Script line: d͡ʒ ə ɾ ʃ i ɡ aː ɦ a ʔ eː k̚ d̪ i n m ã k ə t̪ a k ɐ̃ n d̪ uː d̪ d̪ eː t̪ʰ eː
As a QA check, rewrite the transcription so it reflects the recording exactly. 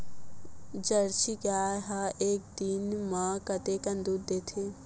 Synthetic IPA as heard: d͡ʒ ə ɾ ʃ i ɡ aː ɦ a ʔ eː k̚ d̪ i n m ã k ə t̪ e k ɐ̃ n d̪ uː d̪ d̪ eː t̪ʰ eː